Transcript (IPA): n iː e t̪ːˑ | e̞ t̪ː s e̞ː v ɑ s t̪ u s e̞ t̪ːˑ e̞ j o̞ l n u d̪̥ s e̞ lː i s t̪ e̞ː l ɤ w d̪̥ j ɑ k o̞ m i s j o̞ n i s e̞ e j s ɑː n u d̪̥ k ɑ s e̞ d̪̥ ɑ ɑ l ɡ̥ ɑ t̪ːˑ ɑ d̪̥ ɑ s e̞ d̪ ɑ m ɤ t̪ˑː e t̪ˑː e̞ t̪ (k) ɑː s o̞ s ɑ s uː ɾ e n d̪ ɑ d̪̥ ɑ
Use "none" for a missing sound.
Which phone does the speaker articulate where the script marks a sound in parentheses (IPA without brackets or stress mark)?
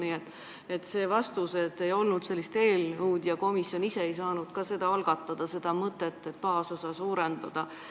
p